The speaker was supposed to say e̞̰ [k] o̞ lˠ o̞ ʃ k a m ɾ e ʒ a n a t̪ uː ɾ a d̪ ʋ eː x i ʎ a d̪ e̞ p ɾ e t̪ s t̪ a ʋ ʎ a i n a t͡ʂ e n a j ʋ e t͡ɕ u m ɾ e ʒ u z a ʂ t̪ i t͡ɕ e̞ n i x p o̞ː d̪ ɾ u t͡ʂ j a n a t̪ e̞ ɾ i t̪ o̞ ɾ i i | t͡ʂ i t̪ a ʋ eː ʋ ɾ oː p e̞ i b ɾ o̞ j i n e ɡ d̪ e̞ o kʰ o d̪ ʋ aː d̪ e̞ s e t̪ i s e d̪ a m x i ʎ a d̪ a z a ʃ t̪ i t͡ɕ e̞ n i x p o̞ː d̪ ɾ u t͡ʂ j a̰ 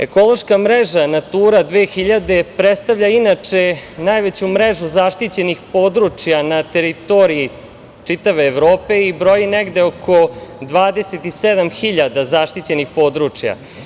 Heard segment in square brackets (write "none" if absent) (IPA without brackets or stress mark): k